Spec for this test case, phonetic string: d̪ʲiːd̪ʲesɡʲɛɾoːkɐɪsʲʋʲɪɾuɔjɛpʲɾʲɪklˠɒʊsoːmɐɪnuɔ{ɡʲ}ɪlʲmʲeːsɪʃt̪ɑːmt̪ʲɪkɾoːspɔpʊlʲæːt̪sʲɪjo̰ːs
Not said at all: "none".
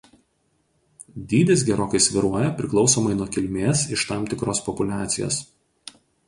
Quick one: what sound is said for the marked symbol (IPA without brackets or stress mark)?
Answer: kʲ